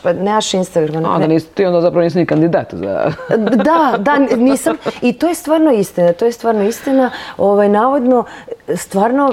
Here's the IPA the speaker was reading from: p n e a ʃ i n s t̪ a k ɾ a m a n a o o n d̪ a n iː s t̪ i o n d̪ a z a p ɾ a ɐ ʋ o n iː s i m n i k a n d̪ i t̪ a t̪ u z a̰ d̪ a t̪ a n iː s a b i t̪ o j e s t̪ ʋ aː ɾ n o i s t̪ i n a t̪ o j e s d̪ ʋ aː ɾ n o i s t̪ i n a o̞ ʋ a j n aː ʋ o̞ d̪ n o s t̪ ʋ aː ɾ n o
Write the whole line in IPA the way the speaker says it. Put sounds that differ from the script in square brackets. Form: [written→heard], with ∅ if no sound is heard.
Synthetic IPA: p n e a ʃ i n s t̪ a [k→ɡ] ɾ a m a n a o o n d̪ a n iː s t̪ i o n d̪ a z a p ɾ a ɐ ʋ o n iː s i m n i k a n d̪ i [t̪→d̪] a t̪ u z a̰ d̪ a [t̪→d̪] a n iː s a [b→m] i t̪ o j e s t̪ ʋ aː ɾ n o i s t̪ i n a t̪ o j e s [d̪→t̪] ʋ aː ɾ n o i s t̪ i n a o̞ ʋ a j n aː ʋ o̞ d̪ n o s t̪ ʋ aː ɾ n o